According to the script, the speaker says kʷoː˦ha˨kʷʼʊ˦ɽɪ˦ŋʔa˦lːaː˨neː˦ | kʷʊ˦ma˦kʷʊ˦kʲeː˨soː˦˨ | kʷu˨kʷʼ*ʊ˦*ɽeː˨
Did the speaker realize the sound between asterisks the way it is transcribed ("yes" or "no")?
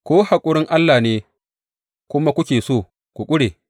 yes